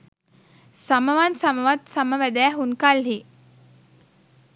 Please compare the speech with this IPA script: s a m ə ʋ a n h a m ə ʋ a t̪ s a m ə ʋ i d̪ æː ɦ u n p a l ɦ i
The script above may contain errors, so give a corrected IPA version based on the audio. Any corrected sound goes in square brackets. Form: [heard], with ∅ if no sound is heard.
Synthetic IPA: s a m ə ʋ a n [s] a m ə ʋ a t̪ s a m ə ʋ [æ] d̪ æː ɦ u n [k] a l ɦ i